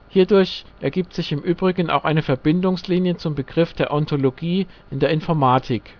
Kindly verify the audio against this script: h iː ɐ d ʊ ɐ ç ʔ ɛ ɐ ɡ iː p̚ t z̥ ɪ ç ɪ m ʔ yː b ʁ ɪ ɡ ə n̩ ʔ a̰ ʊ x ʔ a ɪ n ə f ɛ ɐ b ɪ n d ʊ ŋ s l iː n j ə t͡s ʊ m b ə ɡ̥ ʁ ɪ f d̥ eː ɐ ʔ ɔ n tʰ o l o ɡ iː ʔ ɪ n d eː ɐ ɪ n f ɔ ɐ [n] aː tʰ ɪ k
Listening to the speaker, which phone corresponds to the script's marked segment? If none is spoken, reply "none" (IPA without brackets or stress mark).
m